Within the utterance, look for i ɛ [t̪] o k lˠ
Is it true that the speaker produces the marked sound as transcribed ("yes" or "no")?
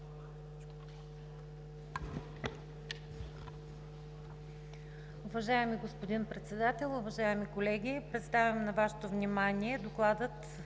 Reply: no